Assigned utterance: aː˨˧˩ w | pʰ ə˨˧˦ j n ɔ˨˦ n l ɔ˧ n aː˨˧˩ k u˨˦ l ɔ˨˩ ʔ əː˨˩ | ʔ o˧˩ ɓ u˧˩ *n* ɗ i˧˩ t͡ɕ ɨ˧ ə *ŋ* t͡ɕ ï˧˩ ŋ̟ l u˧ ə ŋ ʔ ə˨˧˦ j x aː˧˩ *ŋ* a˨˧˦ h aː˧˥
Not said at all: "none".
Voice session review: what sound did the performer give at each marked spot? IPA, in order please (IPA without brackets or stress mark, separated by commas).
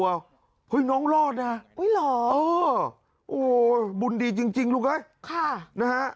n, ŋ, n